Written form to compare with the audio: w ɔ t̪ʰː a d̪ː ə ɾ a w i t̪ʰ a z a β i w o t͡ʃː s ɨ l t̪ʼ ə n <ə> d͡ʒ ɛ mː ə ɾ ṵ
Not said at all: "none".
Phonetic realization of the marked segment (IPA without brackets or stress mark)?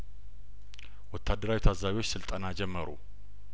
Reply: a